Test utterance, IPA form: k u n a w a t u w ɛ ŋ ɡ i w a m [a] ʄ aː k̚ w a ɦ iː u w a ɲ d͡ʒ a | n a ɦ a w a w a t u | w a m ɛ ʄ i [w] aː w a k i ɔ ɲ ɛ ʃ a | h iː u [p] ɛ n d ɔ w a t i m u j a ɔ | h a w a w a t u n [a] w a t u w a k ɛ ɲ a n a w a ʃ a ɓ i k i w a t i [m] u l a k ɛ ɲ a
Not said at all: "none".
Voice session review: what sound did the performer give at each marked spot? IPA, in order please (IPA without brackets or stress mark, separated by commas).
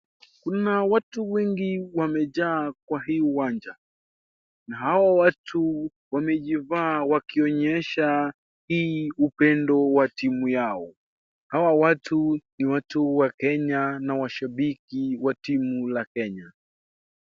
ɛ, v, p, i, m